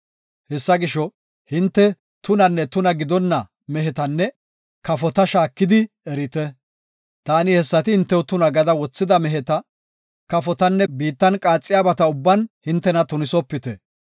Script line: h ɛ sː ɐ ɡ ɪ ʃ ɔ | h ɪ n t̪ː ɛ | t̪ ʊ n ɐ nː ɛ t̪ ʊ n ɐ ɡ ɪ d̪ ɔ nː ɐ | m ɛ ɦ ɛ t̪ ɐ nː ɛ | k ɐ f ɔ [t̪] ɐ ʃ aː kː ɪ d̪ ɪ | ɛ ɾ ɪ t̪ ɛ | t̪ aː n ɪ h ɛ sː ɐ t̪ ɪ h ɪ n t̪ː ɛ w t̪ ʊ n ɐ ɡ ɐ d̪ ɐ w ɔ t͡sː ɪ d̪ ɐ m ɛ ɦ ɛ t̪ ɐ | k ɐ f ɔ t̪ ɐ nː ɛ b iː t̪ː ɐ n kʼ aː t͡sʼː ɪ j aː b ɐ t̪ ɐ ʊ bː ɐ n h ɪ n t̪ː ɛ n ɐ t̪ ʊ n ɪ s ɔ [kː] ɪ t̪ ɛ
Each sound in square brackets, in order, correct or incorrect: correct, incorrect

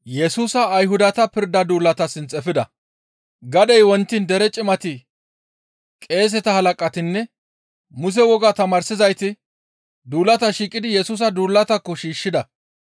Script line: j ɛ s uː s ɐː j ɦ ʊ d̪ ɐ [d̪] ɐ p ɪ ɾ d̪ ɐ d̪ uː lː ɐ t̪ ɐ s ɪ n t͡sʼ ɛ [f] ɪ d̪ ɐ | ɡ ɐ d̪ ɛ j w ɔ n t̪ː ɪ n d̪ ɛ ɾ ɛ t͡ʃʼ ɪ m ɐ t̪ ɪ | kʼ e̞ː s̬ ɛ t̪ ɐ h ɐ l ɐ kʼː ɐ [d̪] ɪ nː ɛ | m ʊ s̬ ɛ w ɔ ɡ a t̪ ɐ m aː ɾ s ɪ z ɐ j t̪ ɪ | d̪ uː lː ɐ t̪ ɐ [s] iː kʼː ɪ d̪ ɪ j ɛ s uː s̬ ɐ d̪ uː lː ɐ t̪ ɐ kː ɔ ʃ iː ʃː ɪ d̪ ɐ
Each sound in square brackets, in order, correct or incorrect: incorrect, correct, incorrect, incorrect

